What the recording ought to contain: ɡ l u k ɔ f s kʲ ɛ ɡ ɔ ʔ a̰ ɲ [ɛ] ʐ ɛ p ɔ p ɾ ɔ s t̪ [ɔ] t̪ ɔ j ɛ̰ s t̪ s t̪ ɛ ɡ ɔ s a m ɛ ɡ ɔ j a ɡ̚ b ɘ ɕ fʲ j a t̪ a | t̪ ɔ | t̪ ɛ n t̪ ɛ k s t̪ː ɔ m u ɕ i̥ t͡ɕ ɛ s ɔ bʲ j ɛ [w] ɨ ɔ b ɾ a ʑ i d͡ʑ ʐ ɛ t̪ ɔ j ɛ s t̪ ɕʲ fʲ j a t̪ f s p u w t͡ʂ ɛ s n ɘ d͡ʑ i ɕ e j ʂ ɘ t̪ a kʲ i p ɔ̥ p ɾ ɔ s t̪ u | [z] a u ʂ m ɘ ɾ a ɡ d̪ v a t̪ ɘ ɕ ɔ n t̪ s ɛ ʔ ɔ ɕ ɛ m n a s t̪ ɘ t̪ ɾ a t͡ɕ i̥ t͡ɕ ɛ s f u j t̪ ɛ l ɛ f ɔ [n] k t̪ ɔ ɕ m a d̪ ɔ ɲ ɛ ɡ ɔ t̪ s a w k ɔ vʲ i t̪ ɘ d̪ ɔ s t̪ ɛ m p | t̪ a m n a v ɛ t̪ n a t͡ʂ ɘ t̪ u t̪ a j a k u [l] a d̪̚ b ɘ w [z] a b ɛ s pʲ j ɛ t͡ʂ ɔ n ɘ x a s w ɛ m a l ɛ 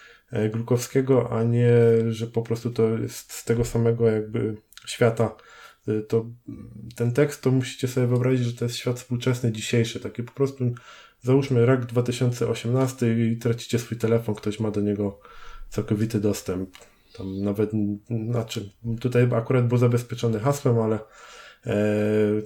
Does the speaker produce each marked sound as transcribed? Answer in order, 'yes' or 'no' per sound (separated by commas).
yes, no, no, yes, yes, no, yes